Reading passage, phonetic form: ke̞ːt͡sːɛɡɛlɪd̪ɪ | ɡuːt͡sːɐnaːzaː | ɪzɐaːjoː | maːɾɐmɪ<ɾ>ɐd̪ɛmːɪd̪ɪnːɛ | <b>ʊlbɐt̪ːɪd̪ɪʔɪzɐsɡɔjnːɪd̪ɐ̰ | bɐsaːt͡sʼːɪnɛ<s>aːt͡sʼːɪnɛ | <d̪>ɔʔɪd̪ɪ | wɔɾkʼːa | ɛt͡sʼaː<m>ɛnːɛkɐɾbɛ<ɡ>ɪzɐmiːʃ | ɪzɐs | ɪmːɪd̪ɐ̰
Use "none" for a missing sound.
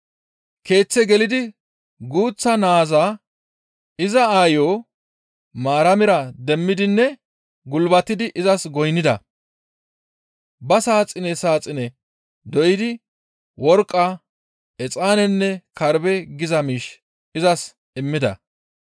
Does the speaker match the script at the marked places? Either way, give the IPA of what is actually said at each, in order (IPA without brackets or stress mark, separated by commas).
ɾ, ɡ, s, d̪, n, ɡ